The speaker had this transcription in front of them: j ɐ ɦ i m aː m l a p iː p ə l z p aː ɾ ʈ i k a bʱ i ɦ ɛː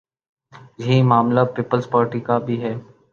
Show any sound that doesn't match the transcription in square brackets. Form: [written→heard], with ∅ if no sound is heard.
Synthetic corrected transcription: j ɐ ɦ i m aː m l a p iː p ə l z p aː ɾ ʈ i k a bʱ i ɦ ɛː